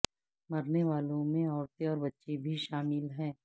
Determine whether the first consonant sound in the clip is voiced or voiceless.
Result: voiced